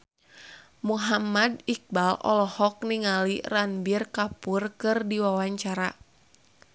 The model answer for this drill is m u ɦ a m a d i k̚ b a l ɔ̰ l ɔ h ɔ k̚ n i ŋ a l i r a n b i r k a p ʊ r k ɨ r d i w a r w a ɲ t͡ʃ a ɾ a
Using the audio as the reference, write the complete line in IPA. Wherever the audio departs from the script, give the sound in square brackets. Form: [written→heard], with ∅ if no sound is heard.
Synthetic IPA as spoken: m u ɦ a m a d i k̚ b a l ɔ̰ l ɔ h ɔ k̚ n i ŋ a l i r a n b i r k a p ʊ r k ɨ r d i w a [r→∅] w a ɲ t͡ʃ a ɾ a